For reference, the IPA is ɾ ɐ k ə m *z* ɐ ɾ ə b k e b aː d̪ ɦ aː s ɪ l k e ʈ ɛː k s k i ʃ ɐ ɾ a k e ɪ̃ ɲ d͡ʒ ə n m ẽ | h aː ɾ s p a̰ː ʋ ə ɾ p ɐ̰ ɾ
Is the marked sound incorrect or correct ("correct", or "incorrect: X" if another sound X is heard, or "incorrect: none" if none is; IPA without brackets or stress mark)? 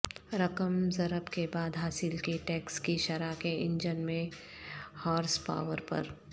correct